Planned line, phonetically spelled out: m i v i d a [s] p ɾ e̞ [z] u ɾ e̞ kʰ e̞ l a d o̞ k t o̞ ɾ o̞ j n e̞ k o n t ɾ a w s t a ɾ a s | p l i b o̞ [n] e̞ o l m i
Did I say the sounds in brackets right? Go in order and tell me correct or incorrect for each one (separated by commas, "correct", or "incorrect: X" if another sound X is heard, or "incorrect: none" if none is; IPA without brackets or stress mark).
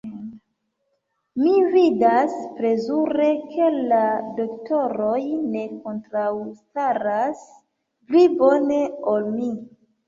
correct, correct, correct